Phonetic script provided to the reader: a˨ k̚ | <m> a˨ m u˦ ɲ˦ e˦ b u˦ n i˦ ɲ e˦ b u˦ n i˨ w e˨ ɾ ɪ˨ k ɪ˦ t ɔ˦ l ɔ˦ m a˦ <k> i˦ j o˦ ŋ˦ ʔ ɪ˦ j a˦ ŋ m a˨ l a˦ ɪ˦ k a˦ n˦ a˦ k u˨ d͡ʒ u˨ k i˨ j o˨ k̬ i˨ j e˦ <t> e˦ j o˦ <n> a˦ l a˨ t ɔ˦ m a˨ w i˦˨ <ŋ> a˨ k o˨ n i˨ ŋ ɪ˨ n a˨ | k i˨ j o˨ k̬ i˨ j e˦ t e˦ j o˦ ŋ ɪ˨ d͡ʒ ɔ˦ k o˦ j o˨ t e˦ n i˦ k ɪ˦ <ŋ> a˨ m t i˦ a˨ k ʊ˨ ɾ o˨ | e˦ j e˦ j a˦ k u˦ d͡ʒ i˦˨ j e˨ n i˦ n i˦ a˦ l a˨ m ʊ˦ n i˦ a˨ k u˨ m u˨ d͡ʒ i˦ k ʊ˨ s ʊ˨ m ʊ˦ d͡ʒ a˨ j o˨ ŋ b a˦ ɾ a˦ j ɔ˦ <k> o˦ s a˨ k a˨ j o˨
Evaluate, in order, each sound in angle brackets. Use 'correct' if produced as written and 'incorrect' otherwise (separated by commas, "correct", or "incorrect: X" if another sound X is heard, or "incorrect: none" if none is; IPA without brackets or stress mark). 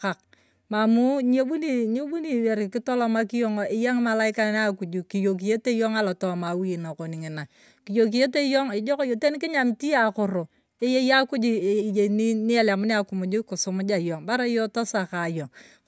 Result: correct, correct, correct, incorrect: ŋ, incorrect: n, incorrect: ɲ, incorrect: t